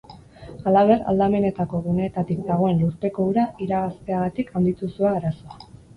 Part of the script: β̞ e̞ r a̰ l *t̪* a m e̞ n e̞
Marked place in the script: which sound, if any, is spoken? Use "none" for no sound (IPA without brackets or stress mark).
d̪